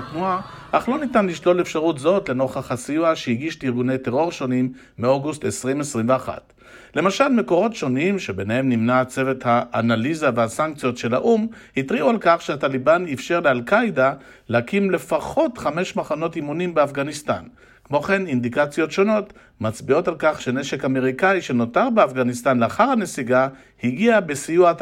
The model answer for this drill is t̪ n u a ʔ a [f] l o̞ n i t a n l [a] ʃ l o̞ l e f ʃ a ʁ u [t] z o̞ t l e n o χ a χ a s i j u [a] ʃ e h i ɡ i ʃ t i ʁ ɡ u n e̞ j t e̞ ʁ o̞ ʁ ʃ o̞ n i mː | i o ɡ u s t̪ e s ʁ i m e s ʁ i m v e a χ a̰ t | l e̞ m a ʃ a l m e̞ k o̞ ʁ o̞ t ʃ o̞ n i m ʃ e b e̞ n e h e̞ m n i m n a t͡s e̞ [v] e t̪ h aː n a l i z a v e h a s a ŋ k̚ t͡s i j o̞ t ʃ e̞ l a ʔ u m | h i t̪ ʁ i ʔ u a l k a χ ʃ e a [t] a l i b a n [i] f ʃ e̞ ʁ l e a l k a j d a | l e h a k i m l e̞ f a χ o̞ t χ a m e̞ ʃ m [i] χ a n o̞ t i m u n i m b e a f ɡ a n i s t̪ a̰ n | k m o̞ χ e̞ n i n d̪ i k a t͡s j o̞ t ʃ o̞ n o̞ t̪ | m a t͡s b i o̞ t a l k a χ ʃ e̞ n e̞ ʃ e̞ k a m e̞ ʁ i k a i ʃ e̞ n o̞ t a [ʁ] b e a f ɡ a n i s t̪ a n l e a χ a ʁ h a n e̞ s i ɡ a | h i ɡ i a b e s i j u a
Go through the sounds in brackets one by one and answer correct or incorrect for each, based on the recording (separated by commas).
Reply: incorrect, incorrect, correct, correct, correct, correct, correct, incorrect, correct